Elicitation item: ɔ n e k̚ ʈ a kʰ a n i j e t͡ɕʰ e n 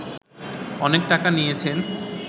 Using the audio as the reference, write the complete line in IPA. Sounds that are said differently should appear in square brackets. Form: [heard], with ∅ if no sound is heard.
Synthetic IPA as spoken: ɔ n e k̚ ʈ a [k] a n i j e t͡ɕʰ e n